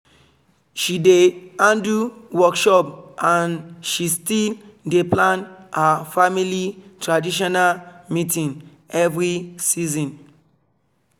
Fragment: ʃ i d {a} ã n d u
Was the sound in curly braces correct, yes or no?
no